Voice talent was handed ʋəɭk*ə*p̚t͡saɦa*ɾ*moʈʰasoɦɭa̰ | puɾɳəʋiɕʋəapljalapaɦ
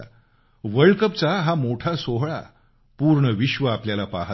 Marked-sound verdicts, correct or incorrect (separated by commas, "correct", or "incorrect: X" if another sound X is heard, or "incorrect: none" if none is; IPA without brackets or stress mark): correct, incorrect: none